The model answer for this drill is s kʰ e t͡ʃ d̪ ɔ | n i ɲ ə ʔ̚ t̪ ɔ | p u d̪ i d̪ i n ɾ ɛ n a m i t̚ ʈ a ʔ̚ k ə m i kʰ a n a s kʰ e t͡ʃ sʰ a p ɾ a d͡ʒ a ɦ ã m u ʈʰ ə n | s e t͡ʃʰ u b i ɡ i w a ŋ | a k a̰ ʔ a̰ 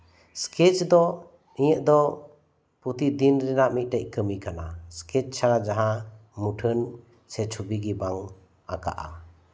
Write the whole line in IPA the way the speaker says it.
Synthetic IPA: s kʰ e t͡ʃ d̪ ɔ | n i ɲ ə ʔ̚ d̪ ɔ | p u t̪ i d̪ i n ɾ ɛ n a m i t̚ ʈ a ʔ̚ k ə m i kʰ a n a s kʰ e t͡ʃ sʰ a ɾ a d͡ʒ a ɦ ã m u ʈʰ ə n | s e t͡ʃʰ u b i ɡ i b a ŋ | a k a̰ ʔ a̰